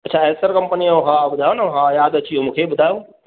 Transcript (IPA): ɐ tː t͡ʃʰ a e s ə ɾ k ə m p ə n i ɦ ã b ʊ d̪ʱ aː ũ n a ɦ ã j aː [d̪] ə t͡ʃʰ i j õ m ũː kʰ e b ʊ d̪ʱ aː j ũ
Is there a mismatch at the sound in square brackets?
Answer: no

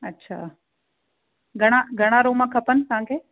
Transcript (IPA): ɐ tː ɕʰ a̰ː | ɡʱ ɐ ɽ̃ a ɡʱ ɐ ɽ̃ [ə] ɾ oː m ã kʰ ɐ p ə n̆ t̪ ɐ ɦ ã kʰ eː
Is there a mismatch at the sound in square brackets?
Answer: yes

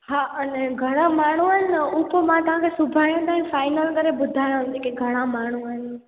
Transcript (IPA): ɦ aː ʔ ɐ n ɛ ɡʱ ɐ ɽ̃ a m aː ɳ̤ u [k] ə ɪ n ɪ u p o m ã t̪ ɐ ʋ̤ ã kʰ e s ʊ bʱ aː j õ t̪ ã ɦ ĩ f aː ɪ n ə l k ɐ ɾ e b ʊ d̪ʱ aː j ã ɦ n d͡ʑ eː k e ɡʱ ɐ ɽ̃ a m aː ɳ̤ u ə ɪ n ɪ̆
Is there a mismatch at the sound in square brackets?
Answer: yes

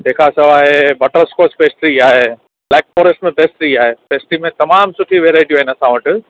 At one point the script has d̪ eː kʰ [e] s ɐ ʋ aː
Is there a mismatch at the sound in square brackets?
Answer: yes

